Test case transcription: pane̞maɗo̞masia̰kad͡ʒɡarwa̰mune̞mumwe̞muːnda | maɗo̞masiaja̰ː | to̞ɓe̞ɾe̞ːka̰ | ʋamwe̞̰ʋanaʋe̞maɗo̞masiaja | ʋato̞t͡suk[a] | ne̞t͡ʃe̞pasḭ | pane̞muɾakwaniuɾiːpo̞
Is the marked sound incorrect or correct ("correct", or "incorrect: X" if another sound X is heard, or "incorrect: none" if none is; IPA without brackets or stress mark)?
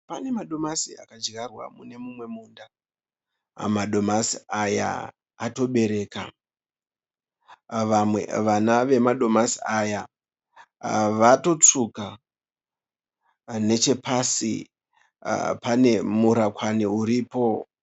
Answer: correct